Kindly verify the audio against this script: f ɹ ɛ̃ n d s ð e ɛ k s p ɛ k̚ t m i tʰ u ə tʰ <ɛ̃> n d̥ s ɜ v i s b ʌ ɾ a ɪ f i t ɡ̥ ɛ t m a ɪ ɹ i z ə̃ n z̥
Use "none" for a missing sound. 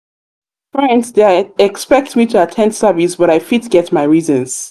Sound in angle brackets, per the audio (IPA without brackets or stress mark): ɛ̃